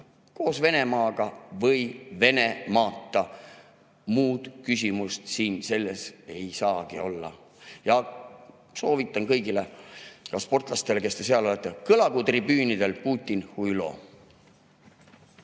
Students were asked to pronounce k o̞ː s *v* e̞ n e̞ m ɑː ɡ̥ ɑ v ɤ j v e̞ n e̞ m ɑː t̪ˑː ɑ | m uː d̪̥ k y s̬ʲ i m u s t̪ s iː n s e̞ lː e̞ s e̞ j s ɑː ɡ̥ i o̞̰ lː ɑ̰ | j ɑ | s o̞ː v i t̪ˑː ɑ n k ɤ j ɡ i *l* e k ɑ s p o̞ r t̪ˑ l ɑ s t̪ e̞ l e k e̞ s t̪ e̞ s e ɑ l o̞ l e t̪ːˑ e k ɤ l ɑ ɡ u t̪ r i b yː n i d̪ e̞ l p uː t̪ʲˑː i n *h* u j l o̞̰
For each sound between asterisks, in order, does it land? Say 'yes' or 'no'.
yes, yes, yes

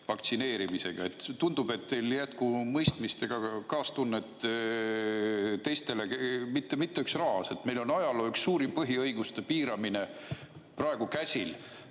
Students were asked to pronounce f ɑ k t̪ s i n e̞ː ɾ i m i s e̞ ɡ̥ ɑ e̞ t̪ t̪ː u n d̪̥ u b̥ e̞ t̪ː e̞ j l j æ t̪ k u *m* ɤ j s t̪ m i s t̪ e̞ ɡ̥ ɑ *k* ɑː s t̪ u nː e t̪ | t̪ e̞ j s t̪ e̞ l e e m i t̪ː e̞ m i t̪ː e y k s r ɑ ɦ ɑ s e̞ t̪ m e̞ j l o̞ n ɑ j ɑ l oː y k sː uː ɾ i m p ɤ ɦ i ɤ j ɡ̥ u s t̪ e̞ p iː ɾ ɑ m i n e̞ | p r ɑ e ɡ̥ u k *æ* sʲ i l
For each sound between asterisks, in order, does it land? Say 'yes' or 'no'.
yes, yes, yes

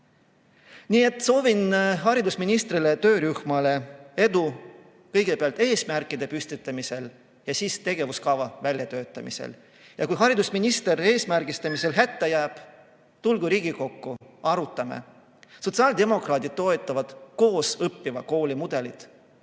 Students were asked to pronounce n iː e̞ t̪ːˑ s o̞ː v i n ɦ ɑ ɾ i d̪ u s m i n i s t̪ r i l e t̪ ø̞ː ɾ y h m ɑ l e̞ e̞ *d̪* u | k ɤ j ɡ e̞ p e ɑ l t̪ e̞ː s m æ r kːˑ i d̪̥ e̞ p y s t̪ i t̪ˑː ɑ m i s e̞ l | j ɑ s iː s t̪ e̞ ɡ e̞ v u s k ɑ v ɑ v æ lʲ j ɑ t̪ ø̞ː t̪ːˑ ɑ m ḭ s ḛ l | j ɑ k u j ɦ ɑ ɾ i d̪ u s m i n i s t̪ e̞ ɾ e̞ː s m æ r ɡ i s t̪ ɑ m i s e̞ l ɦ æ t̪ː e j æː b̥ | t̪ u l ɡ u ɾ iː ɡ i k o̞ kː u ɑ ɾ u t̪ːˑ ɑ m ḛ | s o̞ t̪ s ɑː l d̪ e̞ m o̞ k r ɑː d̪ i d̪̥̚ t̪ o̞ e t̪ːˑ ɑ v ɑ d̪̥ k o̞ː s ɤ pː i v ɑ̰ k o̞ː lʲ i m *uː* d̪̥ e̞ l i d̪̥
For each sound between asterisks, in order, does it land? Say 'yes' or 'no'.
yes, no

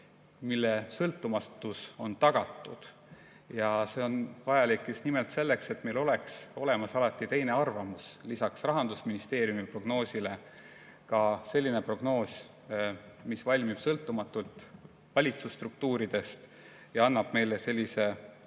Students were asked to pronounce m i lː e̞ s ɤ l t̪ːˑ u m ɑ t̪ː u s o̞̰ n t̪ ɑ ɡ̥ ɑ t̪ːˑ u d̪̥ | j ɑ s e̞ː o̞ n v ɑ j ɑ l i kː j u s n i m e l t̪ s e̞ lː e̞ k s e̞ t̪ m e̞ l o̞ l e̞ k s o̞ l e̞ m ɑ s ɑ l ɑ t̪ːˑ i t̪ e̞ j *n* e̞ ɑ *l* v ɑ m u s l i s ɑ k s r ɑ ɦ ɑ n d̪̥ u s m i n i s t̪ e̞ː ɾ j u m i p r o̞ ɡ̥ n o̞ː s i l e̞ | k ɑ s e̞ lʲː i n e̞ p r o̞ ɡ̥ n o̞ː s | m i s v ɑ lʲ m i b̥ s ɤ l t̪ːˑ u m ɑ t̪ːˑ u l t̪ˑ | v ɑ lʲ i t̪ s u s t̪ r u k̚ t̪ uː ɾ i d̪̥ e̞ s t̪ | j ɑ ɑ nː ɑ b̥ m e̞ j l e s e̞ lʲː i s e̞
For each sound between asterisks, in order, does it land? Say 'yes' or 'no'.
yes, no

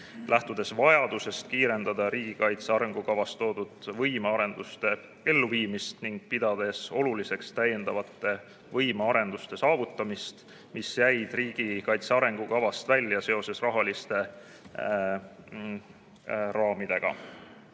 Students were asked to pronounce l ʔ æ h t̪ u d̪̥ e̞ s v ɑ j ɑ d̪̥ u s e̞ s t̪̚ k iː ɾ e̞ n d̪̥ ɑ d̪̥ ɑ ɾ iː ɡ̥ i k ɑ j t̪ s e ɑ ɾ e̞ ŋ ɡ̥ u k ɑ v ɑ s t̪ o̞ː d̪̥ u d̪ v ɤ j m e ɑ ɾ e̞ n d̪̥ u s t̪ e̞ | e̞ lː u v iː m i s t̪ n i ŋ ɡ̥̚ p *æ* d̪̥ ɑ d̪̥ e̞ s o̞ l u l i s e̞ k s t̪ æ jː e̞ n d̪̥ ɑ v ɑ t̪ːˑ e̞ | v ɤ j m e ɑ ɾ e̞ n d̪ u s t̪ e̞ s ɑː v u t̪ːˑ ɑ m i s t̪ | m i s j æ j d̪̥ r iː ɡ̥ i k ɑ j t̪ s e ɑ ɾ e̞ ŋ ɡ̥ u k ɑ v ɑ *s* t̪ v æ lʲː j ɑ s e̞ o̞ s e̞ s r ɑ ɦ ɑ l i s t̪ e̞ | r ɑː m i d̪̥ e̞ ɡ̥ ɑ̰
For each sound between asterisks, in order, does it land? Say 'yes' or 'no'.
no, yes

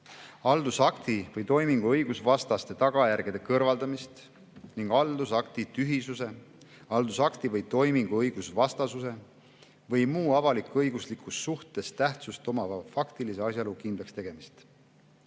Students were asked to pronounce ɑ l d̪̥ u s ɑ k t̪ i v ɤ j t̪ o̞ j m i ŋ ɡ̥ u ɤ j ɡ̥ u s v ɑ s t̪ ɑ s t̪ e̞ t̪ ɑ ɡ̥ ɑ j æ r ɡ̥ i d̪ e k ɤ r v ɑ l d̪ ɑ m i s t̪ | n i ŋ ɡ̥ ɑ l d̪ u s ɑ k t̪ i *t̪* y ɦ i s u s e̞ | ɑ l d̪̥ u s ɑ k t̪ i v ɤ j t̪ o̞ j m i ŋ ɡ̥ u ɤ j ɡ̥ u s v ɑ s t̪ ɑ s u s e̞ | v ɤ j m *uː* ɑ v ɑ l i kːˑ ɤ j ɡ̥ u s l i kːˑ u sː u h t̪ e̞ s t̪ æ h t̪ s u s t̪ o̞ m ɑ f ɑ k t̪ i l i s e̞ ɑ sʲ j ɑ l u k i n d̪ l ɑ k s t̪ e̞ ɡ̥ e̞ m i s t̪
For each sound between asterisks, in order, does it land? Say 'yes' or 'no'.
yes, yes

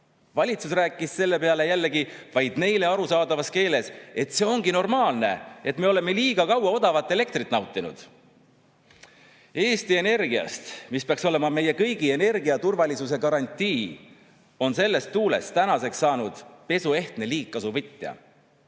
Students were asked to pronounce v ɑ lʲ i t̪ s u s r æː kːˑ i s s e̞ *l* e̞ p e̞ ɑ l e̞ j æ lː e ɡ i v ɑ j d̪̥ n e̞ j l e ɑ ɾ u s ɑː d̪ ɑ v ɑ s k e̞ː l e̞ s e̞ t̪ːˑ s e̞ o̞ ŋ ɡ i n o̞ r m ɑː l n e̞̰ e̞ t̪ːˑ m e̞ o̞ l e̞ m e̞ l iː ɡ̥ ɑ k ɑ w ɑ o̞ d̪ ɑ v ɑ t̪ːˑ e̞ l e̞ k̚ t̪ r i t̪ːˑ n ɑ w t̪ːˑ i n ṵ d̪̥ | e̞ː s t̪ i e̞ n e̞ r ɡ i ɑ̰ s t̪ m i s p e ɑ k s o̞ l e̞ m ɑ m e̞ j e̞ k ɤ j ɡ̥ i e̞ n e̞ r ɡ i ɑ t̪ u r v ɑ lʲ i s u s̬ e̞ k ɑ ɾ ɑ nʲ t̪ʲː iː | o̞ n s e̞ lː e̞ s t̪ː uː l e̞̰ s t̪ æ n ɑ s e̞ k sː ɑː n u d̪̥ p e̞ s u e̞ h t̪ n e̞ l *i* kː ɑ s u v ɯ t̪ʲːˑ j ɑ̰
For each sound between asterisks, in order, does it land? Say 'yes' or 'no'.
no, no

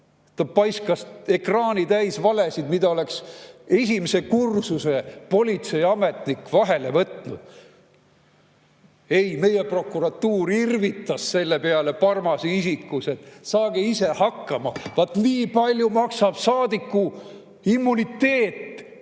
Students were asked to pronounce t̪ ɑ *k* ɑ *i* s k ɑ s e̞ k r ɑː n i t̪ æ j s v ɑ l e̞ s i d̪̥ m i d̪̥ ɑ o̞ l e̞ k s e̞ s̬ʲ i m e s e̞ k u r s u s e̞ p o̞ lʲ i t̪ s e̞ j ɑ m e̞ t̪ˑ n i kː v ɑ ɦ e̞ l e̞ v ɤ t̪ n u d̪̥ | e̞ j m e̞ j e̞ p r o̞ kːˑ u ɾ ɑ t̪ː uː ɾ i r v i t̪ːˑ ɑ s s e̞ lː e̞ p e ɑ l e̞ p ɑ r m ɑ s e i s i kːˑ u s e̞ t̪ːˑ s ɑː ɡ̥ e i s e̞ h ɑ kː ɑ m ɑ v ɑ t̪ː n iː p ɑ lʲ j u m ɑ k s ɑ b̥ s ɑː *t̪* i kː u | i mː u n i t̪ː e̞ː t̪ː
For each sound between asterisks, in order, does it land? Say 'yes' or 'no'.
no, no, no

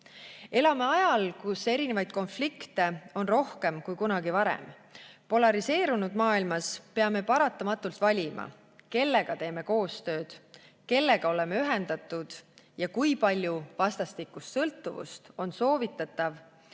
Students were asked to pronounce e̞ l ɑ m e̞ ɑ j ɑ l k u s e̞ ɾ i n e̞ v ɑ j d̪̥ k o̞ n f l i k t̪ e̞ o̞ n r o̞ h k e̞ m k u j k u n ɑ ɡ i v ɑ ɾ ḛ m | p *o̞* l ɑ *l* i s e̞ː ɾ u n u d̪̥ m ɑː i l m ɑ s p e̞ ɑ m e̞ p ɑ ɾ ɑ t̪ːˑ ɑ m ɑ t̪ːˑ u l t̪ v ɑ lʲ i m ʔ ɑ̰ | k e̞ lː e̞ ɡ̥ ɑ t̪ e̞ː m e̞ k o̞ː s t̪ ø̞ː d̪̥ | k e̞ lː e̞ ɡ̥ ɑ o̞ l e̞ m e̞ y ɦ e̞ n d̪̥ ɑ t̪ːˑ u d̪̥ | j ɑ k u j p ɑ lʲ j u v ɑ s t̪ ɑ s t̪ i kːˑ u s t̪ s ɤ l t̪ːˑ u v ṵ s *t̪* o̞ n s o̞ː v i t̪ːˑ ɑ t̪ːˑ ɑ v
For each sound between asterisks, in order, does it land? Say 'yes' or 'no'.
yes, no, yes

